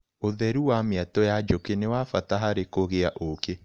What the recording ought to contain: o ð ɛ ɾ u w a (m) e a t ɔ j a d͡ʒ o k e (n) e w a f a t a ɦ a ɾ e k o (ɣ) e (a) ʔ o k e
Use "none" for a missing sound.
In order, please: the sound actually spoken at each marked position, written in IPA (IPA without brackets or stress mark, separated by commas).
m, n, ɣ, a